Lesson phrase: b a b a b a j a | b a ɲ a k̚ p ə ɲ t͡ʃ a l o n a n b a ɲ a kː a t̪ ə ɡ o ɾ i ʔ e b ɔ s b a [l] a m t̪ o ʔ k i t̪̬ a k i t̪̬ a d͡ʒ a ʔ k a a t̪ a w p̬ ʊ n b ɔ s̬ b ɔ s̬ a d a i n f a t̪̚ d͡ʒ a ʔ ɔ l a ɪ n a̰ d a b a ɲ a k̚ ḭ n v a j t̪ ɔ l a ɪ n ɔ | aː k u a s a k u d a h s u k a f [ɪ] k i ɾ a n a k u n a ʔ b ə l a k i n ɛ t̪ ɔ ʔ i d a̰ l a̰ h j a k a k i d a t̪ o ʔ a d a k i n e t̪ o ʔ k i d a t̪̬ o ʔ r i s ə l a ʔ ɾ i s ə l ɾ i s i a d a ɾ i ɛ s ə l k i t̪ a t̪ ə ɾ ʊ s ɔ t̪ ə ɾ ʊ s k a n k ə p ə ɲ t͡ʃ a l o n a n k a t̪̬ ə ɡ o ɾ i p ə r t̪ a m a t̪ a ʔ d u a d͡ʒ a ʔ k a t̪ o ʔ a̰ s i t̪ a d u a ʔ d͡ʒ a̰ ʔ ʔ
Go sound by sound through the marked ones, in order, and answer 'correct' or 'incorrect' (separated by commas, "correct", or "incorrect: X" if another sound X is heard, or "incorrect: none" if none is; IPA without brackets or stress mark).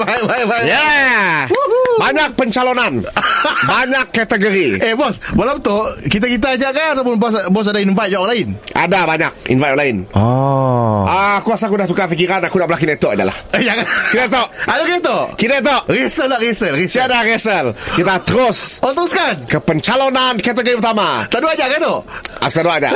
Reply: correct, incorrect: i